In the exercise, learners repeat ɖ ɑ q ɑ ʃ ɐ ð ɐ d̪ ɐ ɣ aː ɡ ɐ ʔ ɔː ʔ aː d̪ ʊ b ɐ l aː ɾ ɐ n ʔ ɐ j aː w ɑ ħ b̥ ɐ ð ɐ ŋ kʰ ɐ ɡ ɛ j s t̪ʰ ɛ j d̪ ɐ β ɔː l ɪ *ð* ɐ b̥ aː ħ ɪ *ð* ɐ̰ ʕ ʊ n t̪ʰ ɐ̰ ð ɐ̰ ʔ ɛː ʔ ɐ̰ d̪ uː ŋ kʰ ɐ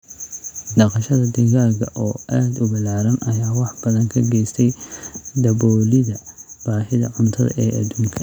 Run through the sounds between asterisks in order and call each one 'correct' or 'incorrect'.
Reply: correct, correct

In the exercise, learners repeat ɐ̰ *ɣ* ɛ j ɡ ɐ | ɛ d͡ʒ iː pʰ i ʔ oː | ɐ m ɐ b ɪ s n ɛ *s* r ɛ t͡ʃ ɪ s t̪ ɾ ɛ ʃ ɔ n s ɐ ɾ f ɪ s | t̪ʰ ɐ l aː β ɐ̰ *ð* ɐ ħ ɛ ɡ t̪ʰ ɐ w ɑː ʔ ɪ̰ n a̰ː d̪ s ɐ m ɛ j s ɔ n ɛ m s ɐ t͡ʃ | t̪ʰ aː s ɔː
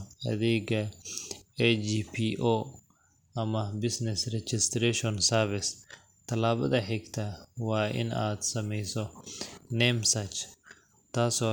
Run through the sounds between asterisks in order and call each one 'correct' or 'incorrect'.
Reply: incorrect, correct, correct

